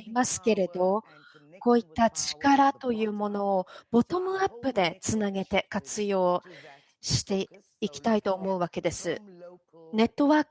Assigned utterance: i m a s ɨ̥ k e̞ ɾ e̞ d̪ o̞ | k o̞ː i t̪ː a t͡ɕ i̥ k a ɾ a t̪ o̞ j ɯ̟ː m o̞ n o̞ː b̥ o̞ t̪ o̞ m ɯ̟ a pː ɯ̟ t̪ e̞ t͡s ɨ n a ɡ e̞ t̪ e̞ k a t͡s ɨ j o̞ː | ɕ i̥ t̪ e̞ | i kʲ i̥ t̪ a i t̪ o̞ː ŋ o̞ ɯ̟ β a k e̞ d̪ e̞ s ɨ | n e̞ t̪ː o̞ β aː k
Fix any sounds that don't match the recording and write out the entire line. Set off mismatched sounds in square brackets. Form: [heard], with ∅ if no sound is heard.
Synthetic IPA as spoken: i m a s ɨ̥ k e̞ ɾ e̞ d̪ o̞ | k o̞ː i t̪ː a t͡ɕ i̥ k a ɾ a t̪ o̞ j ɯ̟ː m o̞ n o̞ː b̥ o̞ t̪ o̞ m ɯ̟ a pː ɯ̟ [d̪] e̞ t͡s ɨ n a ɡ e̞ t̪ e̞ k a t͡s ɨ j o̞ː | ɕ i̥ t̪ e̞ | i kʲ i̥ t̪ a i t̪ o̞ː [m] o̞ ɯ̟ β a k e̞ d̪ e̞ s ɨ | n e̞ t̪ː o̞ β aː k